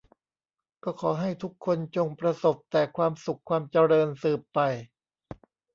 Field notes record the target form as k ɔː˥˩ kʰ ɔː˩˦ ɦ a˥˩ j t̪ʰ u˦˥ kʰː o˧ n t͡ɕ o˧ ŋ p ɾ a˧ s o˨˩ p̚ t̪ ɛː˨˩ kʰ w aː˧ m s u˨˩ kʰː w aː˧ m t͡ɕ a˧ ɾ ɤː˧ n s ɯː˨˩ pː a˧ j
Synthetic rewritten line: k ɔː˥˩ kʰ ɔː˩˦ ɦ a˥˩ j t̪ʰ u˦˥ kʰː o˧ n t͡ɕ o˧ ŋ p ɾ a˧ s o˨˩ p̚ t̪ ɛː˨˩ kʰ w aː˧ m s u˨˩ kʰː w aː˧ m t͡ɕ a˧ ɾ ɤː˧ n s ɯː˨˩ pː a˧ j